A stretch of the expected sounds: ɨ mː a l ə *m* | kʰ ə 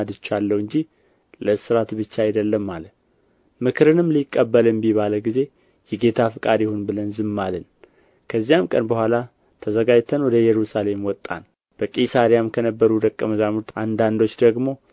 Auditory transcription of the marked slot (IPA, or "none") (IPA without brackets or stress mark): n